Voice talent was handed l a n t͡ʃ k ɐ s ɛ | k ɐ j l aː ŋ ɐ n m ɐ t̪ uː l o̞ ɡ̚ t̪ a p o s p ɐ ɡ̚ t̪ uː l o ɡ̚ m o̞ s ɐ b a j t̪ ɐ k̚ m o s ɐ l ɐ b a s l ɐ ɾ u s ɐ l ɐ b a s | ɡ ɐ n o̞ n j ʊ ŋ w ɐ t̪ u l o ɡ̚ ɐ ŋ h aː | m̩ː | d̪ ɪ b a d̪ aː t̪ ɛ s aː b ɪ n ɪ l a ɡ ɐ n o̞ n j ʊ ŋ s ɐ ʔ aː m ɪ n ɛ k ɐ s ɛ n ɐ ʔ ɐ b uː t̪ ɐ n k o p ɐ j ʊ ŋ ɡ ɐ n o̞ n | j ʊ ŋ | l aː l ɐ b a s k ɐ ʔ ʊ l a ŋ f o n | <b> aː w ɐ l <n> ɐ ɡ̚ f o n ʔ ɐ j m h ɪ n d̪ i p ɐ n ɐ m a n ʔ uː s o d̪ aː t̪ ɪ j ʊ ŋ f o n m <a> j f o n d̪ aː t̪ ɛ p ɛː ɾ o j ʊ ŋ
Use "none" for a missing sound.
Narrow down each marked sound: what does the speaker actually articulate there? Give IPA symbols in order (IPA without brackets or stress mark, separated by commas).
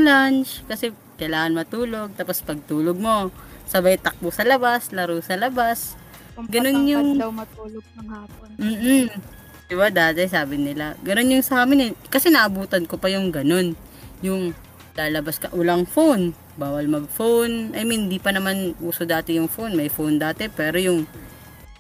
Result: b, m, ɐ